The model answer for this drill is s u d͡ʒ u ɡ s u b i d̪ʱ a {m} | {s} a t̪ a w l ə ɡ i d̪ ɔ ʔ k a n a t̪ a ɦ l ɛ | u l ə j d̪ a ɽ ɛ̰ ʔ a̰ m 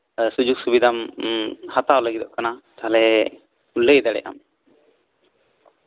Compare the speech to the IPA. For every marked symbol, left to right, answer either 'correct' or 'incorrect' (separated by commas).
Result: correct, incorrect